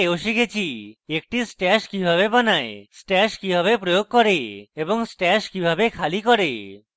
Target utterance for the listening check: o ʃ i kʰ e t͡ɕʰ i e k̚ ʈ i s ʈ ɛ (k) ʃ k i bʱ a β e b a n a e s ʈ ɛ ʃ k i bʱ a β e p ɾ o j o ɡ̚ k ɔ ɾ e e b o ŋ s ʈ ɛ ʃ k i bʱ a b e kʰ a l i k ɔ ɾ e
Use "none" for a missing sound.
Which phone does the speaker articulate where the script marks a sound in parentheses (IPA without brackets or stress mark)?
none